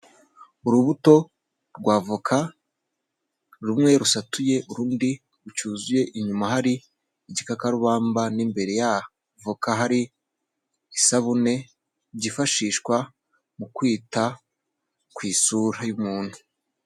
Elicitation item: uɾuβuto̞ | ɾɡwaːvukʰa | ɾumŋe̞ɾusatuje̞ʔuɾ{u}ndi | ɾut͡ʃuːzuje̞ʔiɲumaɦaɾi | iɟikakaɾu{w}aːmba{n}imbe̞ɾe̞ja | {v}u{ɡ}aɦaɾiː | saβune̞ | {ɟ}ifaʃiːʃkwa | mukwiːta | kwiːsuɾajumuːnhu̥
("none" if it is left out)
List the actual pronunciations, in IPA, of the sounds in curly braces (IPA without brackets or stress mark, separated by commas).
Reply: uː, β, n, v, k, ɟ